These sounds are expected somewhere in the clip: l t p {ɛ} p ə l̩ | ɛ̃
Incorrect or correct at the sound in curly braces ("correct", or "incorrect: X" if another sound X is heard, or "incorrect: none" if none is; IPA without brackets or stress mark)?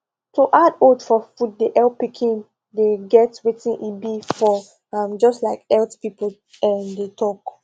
incorrect: i